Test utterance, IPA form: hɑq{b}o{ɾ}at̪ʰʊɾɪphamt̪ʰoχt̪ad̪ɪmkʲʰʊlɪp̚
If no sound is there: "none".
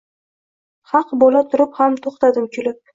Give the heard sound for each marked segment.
b, l

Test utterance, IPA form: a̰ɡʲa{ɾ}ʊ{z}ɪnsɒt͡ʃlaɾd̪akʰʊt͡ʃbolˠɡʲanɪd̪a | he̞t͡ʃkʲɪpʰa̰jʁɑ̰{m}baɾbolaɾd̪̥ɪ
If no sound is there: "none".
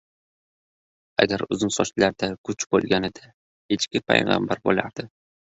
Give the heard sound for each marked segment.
ɾ, z, m

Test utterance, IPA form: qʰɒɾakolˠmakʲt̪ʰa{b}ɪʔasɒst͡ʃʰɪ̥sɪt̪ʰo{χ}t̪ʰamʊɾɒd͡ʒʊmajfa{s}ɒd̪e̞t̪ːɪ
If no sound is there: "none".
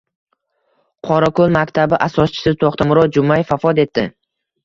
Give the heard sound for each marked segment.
b, χ, f

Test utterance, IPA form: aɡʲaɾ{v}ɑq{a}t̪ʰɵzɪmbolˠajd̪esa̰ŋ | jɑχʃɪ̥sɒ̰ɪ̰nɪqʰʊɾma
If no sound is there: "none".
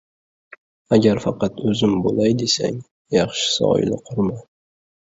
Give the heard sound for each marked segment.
f, ɑ

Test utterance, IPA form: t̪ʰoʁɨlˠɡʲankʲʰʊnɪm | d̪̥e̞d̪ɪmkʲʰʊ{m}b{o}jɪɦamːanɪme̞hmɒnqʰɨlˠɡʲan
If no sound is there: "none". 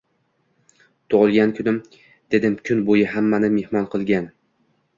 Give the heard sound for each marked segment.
n, o

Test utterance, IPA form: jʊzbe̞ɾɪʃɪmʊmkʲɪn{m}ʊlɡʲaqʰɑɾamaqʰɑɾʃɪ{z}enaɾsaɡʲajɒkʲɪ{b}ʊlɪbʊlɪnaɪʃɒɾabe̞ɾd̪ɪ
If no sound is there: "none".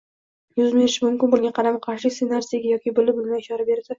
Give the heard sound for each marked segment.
b, s, b

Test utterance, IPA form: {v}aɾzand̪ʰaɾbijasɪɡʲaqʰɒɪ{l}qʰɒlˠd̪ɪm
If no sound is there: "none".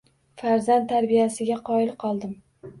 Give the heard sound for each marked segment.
f, l

